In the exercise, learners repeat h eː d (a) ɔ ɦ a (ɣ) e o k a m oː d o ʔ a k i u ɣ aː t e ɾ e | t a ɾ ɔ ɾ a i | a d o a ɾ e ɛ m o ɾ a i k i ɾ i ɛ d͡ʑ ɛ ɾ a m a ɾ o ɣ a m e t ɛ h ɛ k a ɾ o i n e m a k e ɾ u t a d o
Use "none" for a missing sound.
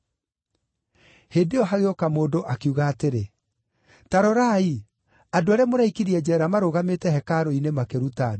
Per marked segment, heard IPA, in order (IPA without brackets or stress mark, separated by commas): e, ɣ